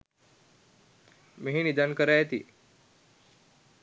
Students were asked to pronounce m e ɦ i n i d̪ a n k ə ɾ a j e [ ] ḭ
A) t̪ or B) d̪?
A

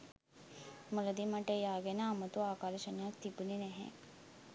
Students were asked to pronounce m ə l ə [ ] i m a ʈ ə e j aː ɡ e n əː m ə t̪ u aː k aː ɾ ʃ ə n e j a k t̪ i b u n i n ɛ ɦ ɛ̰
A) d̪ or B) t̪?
A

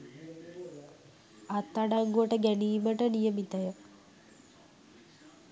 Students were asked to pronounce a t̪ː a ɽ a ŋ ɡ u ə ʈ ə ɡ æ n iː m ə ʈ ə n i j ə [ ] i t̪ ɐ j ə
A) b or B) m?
B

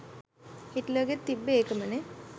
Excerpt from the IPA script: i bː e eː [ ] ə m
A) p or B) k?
B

